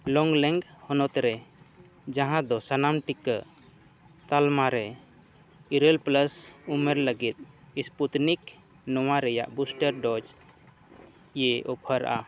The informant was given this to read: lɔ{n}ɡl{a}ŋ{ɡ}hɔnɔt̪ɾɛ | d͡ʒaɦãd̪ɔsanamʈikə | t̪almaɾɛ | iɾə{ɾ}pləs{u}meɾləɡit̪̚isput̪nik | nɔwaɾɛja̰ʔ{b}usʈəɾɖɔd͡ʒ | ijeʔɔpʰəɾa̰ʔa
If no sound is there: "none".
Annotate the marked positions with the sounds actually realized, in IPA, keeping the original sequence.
ŋ, ɛ, ɡ, l, u, b

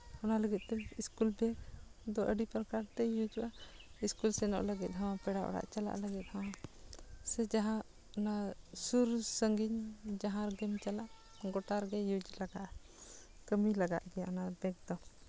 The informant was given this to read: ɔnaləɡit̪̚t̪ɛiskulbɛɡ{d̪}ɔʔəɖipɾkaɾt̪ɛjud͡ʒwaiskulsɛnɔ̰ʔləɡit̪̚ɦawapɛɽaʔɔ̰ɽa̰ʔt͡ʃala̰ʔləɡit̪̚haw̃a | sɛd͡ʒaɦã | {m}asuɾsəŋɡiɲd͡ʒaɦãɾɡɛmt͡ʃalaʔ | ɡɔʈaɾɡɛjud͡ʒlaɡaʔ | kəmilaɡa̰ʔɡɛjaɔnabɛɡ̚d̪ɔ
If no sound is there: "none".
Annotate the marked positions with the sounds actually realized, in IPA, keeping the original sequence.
d̪, n

